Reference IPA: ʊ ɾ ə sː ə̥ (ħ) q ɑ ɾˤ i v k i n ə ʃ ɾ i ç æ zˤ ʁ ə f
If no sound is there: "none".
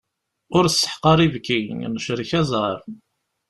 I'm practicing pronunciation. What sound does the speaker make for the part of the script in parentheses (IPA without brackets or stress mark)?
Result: ħ